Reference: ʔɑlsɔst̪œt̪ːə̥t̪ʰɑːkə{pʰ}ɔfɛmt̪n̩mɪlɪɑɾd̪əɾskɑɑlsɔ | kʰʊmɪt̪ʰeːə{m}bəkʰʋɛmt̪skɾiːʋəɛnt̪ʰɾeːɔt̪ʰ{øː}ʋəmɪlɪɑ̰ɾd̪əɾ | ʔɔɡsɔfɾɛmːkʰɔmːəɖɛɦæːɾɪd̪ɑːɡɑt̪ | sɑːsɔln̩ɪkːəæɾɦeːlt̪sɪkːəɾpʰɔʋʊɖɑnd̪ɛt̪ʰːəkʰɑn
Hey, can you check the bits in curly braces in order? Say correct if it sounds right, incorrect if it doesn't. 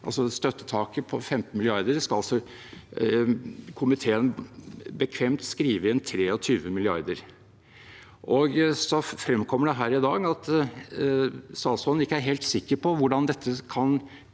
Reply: correct, incorrect, incorrect

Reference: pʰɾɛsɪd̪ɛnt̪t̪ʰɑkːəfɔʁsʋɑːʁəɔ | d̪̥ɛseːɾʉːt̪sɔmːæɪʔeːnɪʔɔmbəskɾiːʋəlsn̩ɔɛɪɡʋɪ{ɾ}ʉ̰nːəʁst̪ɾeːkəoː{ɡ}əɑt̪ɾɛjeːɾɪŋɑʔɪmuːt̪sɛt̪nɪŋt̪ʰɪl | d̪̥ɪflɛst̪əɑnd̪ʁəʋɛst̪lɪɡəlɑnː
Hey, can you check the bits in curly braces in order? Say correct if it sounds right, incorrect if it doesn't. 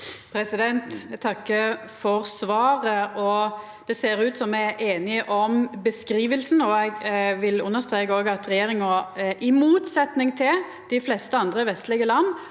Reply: incorrect, correct

